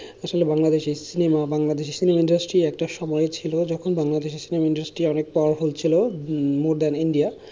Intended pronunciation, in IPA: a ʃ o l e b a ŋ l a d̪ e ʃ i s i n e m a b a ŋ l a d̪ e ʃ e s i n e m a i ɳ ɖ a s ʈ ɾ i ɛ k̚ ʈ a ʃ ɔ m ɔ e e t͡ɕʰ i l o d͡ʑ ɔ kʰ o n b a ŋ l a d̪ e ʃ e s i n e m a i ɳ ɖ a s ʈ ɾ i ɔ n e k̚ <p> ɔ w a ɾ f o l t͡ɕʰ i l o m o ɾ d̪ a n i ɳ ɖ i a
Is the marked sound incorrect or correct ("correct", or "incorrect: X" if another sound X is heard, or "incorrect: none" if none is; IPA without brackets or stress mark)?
correct